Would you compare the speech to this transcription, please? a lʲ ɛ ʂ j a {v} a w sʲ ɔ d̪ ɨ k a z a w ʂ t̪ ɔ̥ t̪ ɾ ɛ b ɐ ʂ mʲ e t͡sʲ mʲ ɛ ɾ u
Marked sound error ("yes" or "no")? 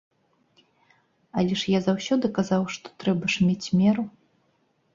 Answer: yes